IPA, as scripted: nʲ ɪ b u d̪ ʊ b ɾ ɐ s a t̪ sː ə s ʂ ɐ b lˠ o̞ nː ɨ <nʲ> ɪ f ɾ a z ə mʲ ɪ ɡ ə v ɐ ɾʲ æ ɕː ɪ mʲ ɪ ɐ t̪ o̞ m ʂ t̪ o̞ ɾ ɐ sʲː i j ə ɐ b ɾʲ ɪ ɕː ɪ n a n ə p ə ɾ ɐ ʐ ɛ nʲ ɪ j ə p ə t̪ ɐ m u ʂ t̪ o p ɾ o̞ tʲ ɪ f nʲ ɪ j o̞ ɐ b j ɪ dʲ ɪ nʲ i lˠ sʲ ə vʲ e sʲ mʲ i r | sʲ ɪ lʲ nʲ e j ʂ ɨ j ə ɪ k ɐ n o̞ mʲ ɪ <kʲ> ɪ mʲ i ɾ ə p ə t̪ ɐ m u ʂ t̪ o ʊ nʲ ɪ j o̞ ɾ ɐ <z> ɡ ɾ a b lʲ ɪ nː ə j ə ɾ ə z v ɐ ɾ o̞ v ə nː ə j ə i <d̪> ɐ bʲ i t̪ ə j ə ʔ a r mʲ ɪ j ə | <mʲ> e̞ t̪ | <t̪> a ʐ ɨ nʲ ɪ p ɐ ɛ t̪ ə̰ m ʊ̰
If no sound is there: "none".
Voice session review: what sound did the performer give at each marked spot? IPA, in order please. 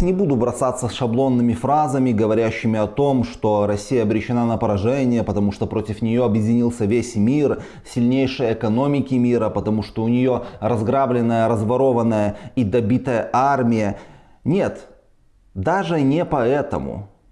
mʲ, kʲ, z, d̪, nʲ, d̪

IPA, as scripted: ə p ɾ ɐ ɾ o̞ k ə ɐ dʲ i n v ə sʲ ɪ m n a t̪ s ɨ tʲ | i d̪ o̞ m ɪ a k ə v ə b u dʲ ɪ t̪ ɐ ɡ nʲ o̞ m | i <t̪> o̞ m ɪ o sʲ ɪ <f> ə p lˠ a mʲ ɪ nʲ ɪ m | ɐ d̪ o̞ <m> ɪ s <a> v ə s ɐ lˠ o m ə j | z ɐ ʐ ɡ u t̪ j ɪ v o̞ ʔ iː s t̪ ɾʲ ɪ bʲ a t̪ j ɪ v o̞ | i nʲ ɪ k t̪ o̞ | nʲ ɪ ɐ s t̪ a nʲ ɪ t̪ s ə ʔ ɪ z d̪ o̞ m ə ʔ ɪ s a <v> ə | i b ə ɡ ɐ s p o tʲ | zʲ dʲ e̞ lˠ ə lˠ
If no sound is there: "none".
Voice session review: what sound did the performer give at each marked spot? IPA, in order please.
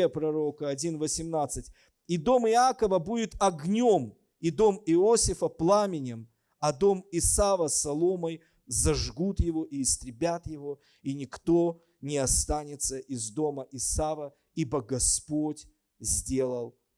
d̪, f, m, a, v

